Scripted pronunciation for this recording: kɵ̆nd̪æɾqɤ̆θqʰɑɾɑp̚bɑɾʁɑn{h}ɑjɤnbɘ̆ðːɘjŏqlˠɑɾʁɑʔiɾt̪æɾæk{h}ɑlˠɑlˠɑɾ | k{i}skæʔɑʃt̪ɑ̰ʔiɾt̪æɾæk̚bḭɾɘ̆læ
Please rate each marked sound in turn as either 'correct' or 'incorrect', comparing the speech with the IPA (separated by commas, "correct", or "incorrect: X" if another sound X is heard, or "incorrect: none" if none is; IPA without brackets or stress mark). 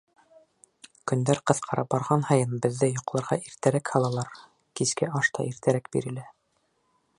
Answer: correct, correct, correct